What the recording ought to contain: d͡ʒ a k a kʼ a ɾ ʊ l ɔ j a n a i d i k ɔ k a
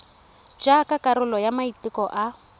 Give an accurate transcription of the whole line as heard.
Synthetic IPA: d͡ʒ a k a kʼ a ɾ ʊ l ɔ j a m a i t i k ɔ ʔ a